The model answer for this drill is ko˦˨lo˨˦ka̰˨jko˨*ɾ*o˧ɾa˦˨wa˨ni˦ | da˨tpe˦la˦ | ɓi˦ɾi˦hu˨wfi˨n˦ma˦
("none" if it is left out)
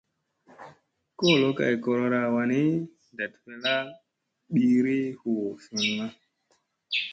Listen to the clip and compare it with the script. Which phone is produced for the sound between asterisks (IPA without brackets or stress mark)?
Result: ɾ